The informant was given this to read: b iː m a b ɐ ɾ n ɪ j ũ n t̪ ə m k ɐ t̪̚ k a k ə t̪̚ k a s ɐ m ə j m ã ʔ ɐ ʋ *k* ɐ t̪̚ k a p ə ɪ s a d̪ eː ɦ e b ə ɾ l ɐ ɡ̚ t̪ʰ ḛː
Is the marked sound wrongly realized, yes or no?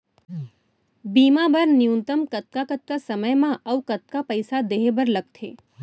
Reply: no